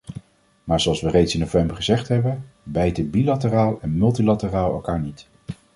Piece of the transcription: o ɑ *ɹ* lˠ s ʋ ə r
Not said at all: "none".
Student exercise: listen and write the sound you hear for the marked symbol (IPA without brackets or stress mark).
none